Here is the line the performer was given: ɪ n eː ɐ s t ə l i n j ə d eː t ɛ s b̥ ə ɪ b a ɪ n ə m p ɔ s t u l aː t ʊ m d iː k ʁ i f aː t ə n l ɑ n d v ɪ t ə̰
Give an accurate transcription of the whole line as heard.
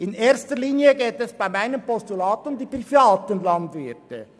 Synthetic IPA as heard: ɪ n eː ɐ s t ə l iː n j ə ɡ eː t ɛ s b̥ a ɪ m a ɪ n ə m p ɔ s t u l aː t ʊ m d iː p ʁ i f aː t ə n l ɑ n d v ɪ t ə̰